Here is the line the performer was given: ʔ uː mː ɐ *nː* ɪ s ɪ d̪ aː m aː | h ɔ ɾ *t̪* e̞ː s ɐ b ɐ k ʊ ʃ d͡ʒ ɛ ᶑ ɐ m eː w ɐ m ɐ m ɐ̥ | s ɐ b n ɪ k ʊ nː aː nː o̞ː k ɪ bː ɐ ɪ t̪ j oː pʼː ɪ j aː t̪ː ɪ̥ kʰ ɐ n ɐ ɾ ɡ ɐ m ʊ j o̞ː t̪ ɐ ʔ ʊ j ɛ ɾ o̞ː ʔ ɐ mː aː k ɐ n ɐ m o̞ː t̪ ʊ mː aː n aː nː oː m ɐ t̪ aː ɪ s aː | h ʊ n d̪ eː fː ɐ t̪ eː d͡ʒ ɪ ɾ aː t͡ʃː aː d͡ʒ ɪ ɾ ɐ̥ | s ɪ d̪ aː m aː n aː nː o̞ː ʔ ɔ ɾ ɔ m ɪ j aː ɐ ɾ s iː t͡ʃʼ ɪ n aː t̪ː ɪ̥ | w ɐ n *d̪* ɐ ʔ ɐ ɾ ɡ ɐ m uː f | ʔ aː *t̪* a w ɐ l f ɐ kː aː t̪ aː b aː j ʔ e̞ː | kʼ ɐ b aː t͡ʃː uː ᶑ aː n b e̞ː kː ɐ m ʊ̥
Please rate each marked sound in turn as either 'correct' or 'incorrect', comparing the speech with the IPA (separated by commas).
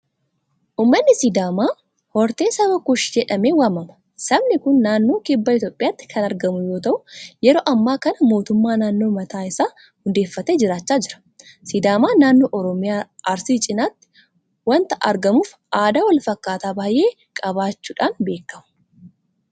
correct, correct, incorrect, incorrect